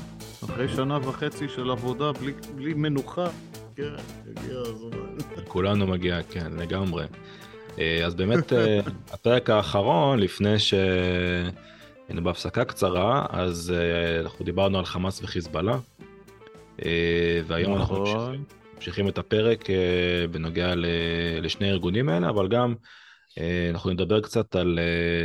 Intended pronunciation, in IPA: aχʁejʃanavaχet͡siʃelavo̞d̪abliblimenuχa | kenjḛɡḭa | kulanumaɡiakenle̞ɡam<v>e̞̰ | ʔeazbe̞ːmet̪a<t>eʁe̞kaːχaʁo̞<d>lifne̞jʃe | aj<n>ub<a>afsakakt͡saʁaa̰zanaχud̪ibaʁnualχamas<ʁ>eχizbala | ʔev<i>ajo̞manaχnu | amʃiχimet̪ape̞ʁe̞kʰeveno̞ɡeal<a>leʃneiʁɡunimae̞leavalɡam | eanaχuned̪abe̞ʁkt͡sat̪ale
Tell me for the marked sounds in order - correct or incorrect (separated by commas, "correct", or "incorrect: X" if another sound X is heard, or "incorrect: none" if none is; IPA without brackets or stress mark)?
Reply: incorrect: ʁ, incorrect: p, incorrect: n, correct, incorrect: e, incorrect: v, incorrect: e, incorrect: e